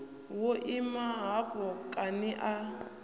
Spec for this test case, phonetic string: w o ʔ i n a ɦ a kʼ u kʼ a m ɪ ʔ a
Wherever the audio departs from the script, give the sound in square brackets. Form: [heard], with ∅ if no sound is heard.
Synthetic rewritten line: w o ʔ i [m] a ɦ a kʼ [ɔ] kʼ a [n] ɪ ʔ a